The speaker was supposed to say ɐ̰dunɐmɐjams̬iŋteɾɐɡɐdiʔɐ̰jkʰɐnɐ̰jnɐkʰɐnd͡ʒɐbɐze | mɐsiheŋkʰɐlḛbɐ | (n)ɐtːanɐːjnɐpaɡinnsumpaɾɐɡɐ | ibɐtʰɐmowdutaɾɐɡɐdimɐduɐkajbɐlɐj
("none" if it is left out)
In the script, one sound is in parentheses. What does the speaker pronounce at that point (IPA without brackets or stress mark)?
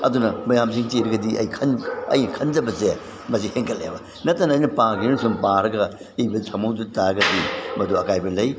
n